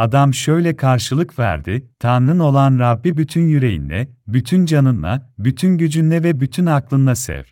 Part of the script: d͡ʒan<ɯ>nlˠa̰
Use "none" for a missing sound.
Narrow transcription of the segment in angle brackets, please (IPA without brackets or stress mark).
ɯ